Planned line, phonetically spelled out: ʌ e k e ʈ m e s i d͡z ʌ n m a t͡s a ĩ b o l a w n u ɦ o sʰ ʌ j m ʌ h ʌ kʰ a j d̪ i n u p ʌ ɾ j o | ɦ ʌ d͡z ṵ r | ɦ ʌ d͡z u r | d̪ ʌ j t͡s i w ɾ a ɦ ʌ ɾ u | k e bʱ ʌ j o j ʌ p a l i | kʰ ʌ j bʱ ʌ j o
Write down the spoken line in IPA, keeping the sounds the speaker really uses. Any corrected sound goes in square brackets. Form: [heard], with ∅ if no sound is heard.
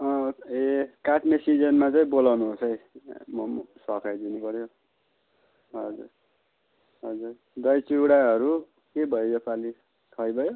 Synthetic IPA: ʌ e k [a] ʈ m e s i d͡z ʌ n m a t͡s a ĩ b o l a w n u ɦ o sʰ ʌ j m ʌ [s] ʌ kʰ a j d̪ i n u p ʌ ɾ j o | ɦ ʌ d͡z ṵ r | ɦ ʌ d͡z u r | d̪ ʌ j t͡s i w [ɽ] a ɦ ʌ ɾ u | k e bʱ ʌ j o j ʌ p a l i | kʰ ʌ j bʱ ʌ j o